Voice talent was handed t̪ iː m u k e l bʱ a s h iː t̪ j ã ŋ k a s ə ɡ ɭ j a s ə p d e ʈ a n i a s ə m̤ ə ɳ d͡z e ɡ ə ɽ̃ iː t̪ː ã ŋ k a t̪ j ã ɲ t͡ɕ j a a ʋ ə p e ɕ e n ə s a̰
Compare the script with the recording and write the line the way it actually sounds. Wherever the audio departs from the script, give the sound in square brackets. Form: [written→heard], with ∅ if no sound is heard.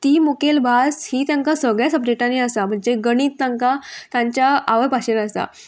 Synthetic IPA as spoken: t̪ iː m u k e l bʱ a s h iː t̪ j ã ŋ k a s ə ɡ ɭ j a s ə p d e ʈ a n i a s [ə→a] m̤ ə ɳ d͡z e ɡ ə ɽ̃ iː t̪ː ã ŋ k a t̪ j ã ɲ t͡ɕ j a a ʋ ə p [e→a] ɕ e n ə s a̰